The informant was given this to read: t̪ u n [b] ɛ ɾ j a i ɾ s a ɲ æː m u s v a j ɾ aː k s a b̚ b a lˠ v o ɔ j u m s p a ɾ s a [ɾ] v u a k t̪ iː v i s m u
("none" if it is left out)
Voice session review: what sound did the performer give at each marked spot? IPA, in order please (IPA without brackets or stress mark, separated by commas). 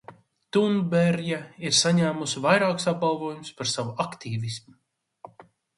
b, none